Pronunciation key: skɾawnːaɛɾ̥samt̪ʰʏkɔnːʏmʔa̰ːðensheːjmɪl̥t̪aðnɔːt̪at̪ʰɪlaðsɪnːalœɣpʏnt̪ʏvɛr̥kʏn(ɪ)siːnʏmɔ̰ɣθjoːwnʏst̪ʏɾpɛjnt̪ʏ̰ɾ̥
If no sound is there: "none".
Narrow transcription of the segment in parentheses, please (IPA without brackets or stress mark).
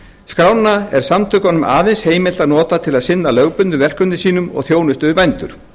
ɪ